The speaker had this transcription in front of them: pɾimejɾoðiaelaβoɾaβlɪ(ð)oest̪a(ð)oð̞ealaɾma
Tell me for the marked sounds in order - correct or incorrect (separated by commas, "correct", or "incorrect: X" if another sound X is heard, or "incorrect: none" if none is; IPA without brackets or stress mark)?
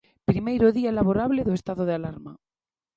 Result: correct, correct